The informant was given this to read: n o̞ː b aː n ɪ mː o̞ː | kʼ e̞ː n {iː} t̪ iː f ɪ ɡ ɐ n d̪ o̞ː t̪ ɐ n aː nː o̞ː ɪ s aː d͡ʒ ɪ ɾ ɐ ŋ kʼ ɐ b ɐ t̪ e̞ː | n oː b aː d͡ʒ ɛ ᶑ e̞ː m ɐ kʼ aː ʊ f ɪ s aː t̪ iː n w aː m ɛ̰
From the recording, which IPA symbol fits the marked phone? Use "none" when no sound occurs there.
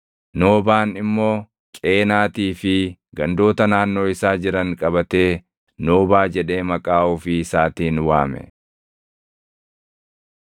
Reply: aː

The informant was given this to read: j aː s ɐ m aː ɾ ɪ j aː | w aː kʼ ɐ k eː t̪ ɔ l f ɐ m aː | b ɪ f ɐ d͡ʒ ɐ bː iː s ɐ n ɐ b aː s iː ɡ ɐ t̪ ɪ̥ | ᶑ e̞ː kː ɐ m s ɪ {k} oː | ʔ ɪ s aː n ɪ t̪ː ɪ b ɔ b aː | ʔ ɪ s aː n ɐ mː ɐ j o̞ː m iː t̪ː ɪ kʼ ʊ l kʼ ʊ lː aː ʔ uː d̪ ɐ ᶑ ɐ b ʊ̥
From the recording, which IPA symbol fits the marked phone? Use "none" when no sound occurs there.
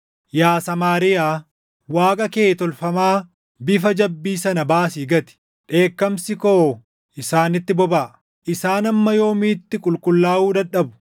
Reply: k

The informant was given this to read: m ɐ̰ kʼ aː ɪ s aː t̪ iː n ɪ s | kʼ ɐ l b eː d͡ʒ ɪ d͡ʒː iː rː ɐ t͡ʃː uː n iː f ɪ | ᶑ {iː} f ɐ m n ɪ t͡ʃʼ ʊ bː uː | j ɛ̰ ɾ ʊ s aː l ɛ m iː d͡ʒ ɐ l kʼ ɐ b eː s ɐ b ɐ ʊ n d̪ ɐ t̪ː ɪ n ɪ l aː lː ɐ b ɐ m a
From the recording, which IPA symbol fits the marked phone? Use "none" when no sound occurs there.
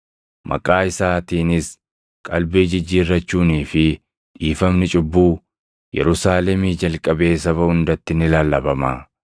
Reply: iː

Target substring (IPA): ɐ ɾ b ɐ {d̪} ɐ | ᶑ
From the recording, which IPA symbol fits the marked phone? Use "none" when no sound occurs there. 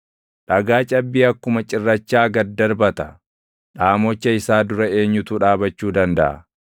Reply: t̪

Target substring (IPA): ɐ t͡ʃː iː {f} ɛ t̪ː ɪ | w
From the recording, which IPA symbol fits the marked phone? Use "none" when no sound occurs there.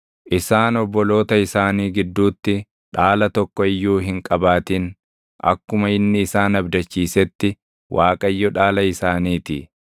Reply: s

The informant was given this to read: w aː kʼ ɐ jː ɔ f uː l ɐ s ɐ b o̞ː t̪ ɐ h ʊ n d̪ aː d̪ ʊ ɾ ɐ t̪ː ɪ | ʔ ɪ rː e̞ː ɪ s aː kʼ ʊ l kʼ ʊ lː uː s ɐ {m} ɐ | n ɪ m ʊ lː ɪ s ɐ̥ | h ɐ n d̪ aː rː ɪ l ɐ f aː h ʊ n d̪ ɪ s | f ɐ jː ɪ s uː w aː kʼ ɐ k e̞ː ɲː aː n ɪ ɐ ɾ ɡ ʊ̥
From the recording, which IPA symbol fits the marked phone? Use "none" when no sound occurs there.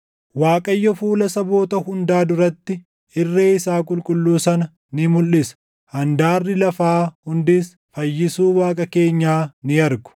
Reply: n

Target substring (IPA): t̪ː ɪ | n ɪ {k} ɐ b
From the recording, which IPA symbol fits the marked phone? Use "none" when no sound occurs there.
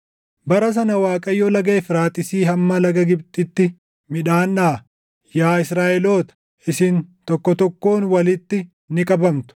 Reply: kʼ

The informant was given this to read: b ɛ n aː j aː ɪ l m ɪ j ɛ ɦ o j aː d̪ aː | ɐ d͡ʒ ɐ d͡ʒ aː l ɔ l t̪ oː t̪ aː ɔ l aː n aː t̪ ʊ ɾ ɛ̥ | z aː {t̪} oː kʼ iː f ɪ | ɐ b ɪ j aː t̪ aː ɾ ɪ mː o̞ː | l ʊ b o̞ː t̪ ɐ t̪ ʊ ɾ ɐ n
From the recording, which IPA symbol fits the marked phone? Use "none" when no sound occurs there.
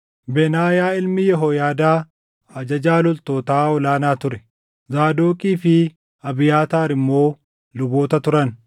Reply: d̪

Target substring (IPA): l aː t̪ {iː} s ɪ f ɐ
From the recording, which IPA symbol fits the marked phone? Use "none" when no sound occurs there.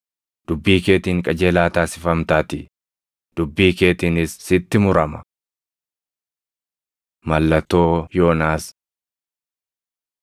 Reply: aː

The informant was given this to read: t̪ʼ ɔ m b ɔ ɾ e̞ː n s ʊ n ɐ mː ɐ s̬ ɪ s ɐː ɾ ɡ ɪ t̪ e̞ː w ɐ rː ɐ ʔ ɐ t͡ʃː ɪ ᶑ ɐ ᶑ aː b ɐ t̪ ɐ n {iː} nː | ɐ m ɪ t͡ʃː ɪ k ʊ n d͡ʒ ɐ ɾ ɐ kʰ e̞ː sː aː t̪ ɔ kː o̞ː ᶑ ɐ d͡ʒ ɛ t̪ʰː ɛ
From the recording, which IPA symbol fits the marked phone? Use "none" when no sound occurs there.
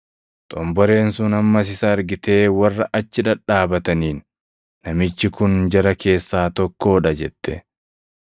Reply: iː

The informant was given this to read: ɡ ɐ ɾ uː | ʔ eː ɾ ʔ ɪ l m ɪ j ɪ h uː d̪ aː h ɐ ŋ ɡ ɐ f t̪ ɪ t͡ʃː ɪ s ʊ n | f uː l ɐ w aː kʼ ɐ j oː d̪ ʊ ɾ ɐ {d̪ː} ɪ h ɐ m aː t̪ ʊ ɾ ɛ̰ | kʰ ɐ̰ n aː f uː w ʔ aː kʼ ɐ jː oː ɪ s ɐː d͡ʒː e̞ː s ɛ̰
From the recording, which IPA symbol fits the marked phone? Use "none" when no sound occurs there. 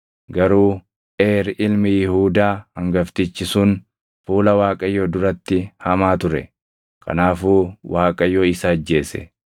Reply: t̪ː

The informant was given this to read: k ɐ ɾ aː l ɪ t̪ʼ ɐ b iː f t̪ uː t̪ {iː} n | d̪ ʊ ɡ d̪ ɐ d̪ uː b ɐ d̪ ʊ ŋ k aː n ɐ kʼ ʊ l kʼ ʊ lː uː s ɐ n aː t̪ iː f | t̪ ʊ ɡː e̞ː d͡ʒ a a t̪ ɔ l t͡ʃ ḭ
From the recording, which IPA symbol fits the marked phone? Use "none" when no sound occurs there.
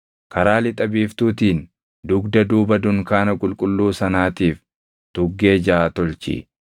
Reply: iː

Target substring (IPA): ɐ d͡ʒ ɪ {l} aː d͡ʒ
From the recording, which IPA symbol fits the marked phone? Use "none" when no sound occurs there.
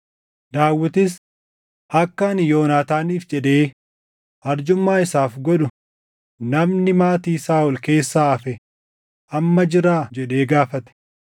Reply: ɾ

